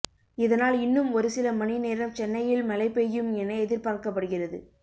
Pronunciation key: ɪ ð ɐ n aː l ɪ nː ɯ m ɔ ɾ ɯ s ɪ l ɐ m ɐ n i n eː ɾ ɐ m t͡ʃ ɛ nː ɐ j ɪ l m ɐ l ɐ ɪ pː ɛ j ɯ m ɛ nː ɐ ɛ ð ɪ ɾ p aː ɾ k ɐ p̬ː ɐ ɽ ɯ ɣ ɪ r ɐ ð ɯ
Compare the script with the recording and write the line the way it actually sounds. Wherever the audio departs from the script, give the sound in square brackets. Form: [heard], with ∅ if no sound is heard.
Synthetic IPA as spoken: ɪ ð ɐ n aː l ɪ nː ɯ m ɔ ɾ ɯ s ɪ l ɐ m ɐ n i n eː ɾ ɐ m t͡ʃ ɛ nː ɐ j ɪ l m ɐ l ɐ ɪ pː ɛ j ɯ m ɛ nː ɐ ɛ ð ɪ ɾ p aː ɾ k ɐ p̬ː ɐ ɽ ɯ ɣ ɪ r ɐ ð ɯ